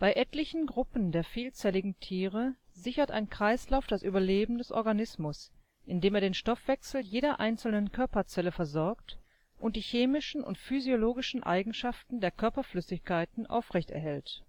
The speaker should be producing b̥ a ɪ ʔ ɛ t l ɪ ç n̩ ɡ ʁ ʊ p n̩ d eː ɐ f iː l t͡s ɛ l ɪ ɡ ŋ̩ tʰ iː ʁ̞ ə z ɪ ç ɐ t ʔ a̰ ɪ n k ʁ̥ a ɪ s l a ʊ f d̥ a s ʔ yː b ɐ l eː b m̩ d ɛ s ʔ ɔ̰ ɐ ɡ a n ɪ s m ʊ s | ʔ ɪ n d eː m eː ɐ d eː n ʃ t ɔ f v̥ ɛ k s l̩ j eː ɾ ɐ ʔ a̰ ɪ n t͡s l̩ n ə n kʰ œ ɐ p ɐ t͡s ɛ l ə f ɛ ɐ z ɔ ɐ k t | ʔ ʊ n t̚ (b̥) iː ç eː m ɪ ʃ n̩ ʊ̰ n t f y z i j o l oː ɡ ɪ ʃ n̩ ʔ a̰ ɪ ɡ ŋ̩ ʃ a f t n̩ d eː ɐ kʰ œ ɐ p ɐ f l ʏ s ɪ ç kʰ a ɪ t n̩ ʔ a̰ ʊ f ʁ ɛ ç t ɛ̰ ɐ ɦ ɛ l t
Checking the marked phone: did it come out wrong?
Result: yes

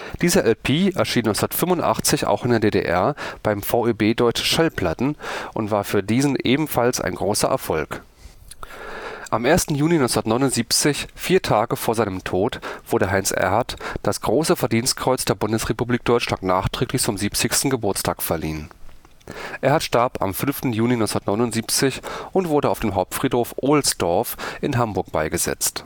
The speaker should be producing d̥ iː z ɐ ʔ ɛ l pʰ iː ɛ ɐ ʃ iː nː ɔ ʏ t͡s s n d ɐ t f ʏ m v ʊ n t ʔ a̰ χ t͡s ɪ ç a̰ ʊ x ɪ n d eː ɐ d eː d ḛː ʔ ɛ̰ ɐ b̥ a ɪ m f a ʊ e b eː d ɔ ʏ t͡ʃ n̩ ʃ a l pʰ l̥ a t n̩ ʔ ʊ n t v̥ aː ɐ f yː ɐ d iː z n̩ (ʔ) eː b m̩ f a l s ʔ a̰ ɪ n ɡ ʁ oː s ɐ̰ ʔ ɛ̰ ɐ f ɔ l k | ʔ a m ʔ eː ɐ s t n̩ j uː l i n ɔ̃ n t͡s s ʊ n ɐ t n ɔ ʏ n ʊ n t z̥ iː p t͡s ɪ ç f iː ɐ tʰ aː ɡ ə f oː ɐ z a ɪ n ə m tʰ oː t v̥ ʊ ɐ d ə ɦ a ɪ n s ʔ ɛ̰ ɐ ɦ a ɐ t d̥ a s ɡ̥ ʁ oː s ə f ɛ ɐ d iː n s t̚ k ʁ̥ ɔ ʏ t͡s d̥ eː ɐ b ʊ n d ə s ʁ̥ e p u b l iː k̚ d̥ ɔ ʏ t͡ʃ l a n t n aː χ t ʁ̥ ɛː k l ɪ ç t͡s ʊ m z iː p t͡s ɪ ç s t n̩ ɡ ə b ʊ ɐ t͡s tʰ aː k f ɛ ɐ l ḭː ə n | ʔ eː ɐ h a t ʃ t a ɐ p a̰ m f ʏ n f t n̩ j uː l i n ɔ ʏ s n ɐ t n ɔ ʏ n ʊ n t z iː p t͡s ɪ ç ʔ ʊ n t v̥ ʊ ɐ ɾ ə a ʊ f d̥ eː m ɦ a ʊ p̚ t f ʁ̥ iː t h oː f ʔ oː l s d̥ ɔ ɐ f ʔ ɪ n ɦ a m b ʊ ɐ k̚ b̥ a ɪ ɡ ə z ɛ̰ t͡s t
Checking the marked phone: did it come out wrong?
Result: no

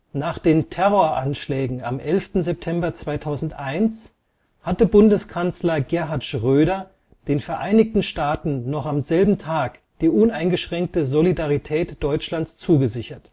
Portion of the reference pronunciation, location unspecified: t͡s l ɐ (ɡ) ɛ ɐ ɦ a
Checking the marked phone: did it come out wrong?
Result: no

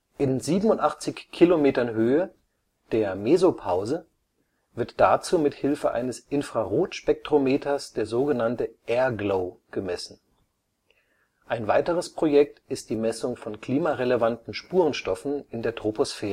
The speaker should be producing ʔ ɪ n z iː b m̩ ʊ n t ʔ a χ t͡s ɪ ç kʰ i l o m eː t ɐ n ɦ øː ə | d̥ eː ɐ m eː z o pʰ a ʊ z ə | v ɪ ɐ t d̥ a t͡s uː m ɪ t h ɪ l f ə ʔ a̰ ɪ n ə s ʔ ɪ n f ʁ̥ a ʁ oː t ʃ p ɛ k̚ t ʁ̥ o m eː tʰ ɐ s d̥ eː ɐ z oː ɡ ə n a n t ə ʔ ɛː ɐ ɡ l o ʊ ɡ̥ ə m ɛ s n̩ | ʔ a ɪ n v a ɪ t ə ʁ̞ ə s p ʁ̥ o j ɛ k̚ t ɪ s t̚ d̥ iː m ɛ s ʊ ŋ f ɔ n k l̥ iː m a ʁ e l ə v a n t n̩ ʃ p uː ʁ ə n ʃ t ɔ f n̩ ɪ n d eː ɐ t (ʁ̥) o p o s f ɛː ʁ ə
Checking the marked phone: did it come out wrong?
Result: no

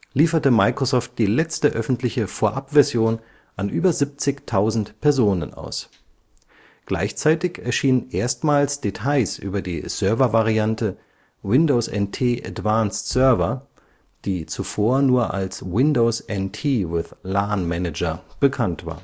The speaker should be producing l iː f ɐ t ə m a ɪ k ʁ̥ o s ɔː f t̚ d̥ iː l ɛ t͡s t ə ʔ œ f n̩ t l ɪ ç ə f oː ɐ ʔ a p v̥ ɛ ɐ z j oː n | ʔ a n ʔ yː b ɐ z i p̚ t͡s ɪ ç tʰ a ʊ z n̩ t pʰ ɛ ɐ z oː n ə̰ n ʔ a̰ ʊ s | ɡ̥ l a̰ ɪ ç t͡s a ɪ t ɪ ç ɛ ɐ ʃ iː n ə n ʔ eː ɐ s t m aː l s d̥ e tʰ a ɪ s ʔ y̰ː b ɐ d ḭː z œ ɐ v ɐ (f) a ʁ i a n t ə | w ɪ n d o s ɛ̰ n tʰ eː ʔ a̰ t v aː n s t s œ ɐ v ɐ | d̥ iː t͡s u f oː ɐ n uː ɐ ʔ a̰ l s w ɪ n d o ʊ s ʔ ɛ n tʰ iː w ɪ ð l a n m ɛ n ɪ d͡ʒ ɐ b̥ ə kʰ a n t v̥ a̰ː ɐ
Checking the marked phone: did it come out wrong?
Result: yes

